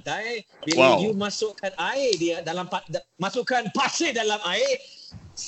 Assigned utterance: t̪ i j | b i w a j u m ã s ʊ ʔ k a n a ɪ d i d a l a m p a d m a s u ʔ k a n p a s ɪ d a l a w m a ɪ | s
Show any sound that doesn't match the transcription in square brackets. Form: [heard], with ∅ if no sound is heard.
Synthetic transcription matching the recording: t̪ [a] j | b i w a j u m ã s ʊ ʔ k a n a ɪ d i d a l a m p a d m a s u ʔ k a n p a s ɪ d a l a [∅] m a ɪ | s